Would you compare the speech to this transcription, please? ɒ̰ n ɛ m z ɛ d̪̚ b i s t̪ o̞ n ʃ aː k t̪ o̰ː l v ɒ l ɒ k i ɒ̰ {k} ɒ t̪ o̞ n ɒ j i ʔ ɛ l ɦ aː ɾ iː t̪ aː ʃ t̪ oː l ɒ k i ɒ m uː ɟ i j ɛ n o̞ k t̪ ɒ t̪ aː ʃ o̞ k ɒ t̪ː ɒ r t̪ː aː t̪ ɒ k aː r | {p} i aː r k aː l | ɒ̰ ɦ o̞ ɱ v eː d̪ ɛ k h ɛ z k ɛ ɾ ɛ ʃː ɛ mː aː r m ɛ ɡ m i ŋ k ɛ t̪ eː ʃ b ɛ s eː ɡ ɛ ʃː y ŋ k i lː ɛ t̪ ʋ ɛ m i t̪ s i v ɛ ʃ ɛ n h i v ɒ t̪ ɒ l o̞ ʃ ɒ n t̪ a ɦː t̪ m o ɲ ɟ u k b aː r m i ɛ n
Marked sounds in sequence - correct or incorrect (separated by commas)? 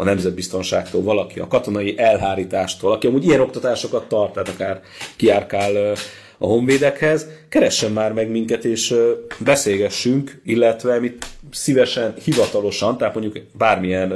correct, incorrect